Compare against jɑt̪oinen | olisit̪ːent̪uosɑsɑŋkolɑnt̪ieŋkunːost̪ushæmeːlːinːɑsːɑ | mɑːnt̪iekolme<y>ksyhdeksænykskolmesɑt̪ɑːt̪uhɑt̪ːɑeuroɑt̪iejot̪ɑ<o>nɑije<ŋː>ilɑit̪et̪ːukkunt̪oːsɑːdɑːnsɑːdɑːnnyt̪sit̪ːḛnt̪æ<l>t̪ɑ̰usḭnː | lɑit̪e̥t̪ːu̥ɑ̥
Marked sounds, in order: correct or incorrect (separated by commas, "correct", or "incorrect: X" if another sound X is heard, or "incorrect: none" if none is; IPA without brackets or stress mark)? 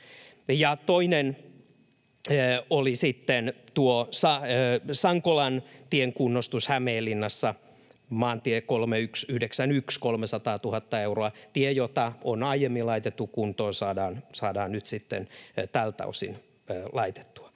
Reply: correct, correct, incorrect: mː, correct